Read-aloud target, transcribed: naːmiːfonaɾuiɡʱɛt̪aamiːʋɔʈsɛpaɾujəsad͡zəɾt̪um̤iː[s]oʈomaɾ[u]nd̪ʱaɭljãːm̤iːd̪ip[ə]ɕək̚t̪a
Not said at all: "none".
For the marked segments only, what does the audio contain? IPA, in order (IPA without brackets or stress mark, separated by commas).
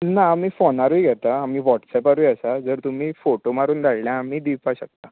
f, uː, a